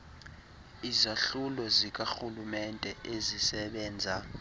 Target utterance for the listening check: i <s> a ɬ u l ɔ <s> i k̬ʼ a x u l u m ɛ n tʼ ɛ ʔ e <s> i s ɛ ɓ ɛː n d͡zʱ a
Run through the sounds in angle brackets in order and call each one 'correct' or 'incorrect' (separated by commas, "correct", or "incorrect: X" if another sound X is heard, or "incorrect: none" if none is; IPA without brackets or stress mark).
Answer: incorrect: z, incorrect: z, incorrect: z